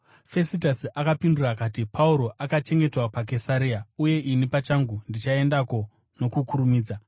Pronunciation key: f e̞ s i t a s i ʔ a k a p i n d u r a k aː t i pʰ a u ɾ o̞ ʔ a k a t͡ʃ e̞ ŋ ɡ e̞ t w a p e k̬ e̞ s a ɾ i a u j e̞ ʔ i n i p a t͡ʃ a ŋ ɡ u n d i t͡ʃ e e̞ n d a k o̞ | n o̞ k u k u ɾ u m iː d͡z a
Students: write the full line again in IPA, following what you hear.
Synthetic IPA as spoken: f e̞ s i t a s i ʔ a k a p i n d u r a k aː t i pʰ a u ɾ o̞ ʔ a k a t͡ʃ e̞ ŋ ɡ e̞ t w a p a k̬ e̞ s a ɾ i a u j e̞ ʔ i n i p a t͡ʃ a ŋ ɡ u n d i t͡ʃ a e̞ n d a k o̞ | n o̞ k u k u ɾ u m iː d͡z a